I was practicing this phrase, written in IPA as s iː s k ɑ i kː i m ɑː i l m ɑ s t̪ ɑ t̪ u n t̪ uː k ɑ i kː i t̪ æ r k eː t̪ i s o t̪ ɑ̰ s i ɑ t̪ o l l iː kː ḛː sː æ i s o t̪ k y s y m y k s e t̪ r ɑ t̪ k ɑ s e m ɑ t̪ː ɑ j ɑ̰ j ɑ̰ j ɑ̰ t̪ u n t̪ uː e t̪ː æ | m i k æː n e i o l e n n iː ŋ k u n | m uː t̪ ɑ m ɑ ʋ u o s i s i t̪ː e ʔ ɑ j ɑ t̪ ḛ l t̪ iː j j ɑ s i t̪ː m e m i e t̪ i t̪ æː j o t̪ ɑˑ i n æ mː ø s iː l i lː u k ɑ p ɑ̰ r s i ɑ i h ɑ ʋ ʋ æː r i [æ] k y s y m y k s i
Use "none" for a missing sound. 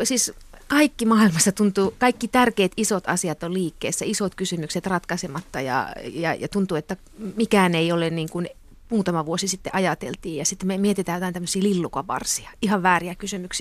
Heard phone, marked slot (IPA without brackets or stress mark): æ